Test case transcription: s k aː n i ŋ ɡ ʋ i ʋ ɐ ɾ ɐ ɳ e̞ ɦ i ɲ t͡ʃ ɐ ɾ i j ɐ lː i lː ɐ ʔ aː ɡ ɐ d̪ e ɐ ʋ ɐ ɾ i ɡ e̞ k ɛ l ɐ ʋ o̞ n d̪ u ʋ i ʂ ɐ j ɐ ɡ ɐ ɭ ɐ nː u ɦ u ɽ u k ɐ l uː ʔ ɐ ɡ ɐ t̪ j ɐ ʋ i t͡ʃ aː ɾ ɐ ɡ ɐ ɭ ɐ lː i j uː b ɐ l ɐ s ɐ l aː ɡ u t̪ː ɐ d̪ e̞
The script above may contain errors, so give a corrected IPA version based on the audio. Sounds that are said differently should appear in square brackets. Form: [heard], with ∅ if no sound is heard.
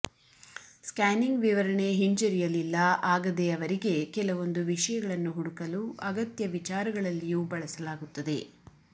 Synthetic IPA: s k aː n i ŋ ɡ ʋ i ʋ ɐ ɾ ɐ ɳ e̞ ɦ i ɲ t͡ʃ ɐ ɾ i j ɐ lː i lː ɐ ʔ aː ɡ ɐ d̪ e ɐ ʋ ɐ ɾ i ɡ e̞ k ɛ l ɐ ʋ o̞ n d̪ u ʋ i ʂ ɐ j ɐ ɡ ɐ ɭ ɐ nː u ɦ u ɽ u k ɐ l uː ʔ ɐ ɡ ɐ t̪ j ɐ ʋ i t͡ʃ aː ɾ ɐ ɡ ɐ ɭ ɐ lː i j uː b ɐ [ɭ] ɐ s ɐ l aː ɡ u t̪ː ɐ d̪ e̞